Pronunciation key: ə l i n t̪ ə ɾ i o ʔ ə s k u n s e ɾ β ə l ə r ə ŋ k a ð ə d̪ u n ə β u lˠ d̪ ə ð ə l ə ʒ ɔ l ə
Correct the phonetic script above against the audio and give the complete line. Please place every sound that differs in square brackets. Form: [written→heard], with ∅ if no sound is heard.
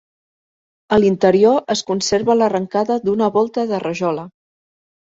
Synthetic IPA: ə l i n t̪ ə ɾ i o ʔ ə s k u n s e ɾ β ə l ə r ə ŋ k a ð ə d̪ u n ə β [u→ɔ] lˠ [d̪→t̪] ə ð ə [l→r] ə ʒ ɔ l ə